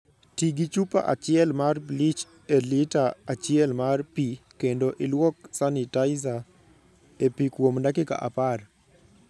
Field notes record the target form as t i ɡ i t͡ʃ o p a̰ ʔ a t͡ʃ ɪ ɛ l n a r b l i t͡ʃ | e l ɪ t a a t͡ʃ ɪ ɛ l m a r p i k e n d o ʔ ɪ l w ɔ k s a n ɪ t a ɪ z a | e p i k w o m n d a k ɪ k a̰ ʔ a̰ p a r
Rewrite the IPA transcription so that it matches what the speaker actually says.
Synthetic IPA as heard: t i ɡ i t͡ʃ u p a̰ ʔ a t͡ʃ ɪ ɛ l m a r b l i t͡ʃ | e l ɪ t a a t͡ʃ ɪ ɛ l m a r p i k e n d o ʔ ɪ l w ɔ k s a n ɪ t a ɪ z a | e p i k w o m n d a k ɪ k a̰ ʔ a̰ p a r